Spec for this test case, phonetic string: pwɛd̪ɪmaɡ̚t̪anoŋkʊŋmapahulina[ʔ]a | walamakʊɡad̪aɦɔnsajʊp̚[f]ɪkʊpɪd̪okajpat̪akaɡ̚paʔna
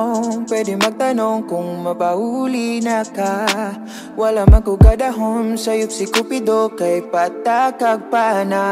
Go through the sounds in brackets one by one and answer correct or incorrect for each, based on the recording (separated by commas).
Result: incorrect, incorrect